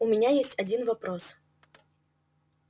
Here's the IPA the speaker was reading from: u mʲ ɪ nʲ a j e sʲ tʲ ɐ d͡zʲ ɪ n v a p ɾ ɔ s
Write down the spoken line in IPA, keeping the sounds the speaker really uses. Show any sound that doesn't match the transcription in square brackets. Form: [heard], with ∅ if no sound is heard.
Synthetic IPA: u mʲ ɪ nʲ a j e sʲ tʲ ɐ d͡zʲ [i] n v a p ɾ ɔ s